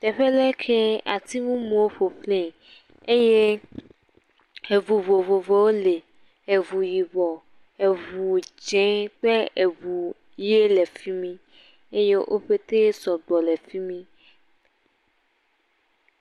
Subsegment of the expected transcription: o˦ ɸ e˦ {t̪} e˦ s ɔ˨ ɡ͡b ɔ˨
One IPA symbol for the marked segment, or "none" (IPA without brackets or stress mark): t̪